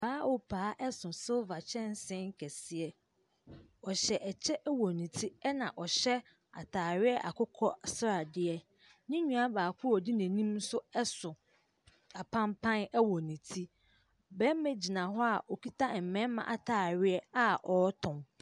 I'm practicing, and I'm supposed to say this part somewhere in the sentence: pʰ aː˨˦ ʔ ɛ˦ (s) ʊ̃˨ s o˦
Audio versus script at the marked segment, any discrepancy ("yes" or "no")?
no